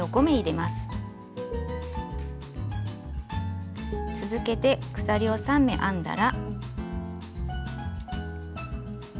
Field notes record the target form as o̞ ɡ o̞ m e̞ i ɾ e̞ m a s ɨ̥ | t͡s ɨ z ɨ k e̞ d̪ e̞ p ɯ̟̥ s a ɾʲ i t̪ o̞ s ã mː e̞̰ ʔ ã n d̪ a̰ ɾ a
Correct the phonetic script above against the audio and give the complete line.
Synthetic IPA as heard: o̞ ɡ o̞ m e̞ i ɾ e̞ m a s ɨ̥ | t͡s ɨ z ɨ k e̞ t̪ e̞ k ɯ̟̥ s a ɾʲ i o̞ s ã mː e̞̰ ʔ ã n d̪ a̰ ɾ a